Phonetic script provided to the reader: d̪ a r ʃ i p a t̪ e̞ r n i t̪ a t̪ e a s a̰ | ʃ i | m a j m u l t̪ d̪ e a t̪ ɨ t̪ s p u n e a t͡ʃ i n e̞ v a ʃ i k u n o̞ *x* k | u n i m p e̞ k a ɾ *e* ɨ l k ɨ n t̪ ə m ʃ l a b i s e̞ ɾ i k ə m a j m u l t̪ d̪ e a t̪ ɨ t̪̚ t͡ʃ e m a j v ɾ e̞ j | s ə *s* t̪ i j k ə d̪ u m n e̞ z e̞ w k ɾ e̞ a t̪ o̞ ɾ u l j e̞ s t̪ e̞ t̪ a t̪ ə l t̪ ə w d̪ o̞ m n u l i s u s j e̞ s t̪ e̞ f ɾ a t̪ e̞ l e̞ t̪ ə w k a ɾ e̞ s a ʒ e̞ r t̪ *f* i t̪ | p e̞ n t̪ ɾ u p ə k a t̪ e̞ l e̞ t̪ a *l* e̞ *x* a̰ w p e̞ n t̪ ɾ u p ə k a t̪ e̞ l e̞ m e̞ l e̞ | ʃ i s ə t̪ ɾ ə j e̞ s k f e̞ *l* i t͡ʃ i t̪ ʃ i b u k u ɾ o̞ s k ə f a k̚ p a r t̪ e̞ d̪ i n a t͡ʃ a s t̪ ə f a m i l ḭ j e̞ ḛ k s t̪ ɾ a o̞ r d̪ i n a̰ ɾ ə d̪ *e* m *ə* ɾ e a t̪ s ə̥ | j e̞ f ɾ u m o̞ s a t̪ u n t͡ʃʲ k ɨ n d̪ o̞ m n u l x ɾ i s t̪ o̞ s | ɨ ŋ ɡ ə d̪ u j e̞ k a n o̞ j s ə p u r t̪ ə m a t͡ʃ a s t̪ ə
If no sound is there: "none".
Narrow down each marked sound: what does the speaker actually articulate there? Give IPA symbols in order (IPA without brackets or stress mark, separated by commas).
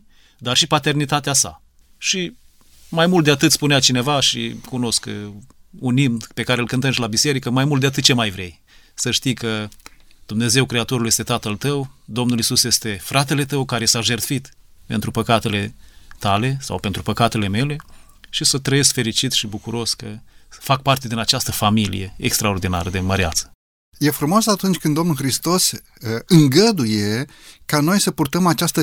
s, e, ʃ, f, l, s, ɾ, e, ə